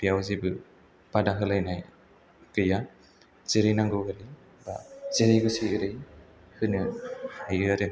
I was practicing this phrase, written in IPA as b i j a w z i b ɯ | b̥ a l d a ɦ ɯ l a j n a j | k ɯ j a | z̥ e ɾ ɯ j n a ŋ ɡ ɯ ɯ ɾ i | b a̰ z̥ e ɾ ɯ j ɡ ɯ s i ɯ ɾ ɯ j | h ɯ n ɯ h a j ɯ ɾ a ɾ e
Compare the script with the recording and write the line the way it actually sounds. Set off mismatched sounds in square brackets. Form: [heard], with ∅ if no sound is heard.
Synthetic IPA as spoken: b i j a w z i b ɯ | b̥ a [∅] d a ɦ ɯ l a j n a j | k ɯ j a | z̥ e ɾ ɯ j n a ŋ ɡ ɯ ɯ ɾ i | b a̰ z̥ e ɾ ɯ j ɡ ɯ s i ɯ ɾ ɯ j | h ɯ n ɯ h a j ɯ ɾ a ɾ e